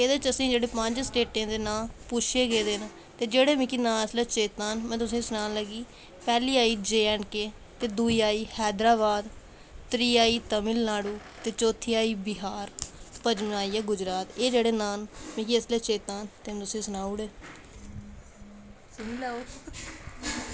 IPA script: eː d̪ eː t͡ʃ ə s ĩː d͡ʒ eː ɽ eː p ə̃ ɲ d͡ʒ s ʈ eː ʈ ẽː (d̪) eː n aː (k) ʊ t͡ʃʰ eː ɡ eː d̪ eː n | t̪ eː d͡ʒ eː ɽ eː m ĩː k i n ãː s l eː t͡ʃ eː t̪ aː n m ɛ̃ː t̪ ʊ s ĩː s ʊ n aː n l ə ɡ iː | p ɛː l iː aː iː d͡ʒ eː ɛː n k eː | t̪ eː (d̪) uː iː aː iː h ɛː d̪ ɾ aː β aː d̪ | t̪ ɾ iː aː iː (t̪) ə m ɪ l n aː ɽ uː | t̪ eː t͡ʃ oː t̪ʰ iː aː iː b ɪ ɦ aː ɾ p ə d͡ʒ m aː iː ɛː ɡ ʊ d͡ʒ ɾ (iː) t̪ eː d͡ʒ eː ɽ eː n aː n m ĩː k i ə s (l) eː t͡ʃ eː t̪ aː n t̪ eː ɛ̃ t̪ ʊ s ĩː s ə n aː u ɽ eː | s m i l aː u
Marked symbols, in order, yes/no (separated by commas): yes, no, yes, yes, no, yes